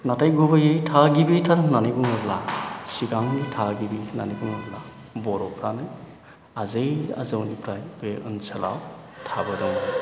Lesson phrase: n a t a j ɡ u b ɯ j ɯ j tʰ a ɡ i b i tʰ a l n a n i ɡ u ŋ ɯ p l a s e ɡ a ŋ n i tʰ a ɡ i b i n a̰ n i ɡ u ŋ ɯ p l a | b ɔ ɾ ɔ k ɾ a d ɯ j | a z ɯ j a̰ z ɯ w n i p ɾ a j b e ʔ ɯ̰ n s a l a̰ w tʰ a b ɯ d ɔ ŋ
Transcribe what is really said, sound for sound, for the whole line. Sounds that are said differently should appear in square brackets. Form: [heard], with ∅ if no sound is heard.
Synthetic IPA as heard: n a t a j ɡ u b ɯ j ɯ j tʰ a ɡ i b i tʰ a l n a n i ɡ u ŋ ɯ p l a s [i] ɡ a ŋ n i tʰ a ɡ i b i n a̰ n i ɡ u ŋ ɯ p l a | b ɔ ɾ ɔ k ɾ a [n] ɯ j | a z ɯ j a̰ z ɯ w n i p ɾ a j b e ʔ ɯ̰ n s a l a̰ w tʰ a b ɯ d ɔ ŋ